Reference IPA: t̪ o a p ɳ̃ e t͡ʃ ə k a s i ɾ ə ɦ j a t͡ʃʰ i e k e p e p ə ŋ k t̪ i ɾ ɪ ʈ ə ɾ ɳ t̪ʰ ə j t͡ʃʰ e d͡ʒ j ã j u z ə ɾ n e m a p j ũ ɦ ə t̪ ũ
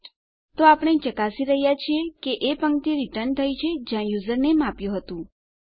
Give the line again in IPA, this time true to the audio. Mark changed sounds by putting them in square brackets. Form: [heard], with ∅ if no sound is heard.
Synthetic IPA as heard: t̪ o a p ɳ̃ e t͡ʃ ə k a s i ɾ ə ɦ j a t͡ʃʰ i e k e [ʔ] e p ə ŋ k t̪ i ɾ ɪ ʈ ə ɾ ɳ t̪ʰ ə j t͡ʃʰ e d͡ʒ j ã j u z ə ɾ n e m a p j ũ ɦ ə t̪ ũ